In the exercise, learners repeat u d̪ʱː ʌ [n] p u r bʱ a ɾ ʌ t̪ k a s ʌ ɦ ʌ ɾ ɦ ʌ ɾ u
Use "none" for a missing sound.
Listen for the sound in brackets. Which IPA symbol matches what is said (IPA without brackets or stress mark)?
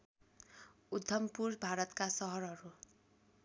m